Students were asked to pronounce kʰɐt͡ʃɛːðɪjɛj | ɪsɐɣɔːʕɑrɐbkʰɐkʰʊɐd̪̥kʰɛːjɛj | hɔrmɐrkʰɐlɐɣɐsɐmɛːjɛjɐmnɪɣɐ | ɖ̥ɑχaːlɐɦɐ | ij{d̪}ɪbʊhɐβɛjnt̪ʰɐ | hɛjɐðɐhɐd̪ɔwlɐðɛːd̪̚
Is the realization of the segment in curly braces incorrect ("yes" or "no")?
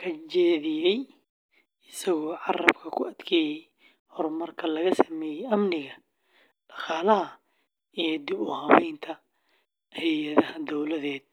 no